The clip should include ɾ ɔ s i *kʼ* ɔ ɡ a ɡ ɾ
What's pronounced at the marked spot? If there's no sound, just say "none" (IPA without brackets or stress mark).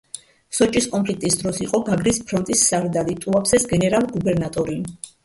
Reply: qʼ